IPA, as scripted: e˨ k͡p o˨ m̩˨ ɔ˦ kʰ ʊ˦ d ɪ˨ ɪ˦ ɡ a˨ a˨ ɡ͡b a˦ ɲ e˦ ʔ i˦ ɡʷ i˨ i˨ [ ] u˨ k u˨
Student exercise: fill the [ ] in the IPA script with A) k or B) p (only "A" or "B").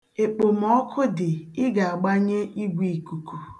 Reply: A